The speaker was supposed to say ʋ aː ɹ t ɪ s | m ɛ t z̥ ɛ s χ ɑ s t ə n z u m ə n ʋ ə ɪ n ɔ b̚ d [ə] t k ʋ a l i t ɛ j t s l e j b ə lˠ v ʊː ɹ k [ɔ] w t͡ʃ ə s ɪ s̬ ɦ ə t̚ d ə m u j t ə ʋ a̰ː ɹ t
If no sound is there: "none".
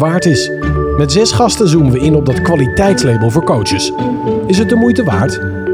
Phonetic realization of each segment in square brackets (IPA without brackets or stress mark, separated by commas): ɑ, o